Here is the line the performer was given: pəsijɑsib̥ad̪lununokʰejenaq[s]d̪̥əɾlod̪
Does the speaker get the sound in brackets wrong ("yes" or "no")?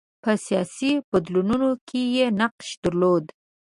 yes